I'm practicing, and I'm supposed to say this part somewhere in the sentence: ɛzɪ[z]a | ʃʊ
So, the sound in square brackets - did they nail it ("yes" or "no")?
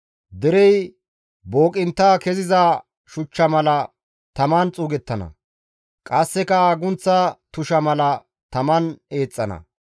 yes